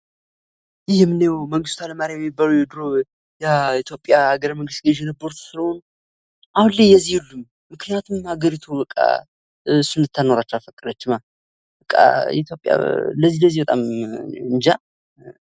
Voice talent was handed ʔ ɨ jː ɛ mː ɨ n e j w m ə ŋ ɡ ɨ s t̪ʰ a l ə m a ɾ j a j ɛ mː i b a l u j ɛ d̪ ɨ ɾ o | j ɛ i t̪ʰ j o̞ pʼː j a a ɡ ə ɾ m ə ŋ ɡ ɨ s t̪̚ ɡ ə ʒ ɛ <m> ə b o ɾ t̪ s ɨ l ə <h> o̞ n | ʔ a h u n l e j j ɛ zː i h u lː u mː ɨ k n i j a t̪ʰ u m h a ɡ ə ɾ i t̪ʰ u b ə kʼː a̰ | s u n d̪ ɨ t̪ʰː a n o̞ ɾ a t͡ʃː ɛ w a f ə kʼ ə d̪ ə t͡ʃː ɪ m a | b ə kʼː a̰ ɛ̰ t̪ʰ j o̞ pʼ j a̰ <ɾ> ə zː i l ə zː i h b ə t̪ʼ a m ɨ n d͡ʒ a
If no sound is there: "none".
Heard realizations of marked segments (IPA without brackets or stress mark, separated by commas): n, h, l